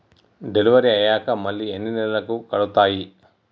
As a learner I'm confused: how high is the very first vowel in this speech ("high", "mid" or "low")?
mid